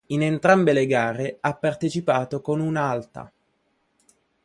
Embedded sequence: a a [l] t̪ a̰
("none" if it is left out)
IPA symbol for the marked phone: l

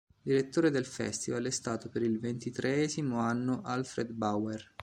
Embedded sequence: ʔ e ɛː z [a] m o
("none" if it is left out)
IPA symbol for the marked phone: i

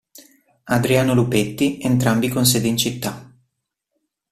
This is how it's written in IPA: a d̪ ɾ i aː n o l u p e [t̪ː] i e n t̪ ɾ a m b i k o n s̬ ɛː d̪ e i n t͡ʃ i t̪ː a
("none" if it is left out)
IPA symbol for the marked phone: t̪ː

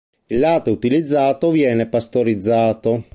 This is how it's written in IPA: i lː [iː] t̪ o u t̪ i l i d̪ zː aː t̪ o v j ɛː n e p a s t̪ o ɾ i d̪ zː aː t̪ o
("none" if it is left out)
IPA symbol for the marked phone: aː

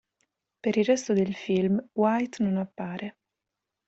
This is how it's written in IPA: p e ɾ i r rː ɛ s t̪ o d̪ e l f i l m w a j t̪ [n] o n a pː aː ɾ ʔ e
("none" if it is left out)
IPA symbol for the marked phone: n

